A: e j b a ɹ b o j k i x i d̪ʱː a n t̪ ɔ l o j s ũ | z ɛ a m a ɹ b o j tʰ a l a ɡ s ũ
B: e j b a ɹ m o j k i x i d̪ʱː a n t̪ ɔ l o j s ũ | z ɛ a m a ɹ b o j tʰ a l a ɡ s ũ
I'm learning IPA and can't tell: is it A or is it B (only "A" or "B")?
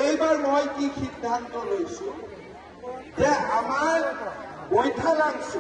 B